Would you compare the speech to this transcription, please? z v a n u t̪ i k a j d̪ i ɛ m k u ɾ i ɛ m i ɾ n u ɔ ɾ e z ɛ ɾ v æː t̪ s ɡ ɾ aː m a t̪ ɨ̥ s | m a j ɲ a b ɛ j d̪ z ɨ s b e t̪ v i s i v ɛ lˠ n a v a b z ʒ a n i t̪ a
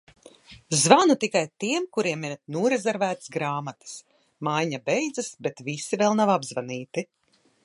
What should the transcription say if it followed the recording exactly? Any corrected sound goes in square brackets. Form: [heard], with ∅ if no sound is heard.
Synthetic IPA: z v a n u t̪ i k a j [t̪] i ɛ m k u ɾ i ɛ m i ɾ n u ɔ ɾ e z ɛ ɾ v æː t̪ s ɡ ɾ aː m a t̪ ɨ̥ s | m a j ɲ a b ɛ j d̪ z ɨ s b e t̪ v i s i v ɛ lˠ n a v a b z [v] a n [iː] t̪ [i]